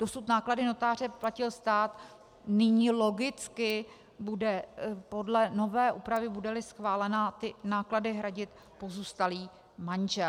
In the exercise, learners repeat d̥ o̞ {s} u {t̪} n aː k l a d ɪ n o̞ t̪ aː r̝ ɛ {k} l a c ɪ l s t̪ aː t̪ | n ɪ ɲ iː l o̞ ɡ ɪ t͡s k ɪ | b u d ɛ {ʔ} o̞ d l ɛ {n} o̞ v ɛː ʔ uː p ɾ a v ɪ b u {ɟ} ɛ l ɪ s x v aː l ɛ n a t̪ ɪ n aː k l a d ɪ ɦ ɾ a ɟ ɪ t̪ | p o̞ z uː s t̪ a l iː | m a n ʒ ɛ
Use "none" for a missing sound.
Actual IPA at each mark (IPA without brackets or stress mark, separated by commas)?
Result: s, t̪, p, p, n, d